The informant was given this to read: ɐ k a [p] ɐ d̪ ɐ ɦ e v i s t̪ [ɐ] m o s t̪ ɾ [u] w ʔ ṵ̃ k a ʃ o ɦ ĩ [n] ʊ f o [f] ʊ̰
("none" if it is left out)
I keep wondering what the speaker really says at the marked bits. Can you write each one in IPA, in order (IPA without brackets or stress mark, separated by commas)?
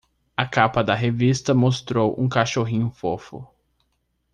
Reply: p, ɐ, o, ɲ, f